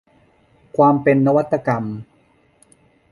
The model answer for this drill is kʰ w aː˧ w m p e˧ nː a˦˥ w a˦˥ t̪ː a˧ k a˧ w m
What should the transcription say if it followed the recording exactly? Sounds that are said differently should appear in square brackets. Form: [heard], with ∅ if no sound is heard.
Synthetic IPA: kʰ w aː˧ [∅] m p e˧ nː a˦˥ w a˦˥ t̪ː a˧ k a˧ [∅] m